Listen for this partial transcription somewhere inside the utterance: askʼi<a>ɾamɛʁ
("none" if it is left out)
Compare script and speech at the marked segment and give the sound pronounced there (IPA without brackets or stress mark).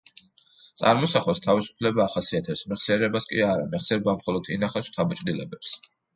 a